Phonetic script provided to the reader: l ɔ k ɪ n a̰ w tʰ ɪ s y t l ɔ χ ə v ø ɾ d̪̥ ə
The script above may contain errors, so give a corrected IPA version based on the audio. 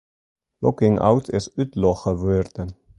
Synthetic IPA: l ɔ k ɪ ŋ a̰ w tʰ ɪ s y t l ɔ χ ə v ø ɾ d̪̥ ə